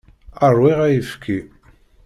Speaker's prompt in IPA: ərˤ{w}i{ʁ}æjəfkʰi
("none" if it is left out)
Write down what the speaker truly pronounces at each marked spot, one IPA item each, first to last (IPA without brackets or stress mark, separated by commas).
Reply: w, ʁ